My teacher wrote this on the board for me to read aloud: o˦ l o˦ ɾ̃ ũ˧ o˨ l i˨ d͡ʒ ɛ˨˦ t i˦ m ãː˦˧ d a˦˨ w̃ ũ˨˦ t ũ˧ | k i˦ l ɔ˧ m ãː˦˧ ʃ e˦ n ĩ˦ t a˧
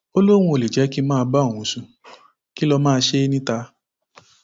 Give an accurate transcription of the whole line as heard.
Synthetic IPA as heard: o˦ l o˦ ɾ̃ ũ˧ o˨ l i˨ d͡ʒ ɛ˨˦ k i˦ m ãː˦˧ b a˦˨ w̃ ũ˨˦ s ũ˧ | k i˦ l ɔ˧ m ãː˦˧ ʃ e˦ n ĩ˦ t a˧